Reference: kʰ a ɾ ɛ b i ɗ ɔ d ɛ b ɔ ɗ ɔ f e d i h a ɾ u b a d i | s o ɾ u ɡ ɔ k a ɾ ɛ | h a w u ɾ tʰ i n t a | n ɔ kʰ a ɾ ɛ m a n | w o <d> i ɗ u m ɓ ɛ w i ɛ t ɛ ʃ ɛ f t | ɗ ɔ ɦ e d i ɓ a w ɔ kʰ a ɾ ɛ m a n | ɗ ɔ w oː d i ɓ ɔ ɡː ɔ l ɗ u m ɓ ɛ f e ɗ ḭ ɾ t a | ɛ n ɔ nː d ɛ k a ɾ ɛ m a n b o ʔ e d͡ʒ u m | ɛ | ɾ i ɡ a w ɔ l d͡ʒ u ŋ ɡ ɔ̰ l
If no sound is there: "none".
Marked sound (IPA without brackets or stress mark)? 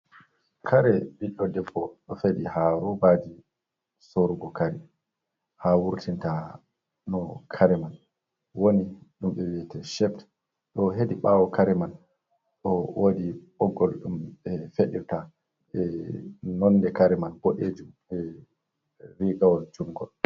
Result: n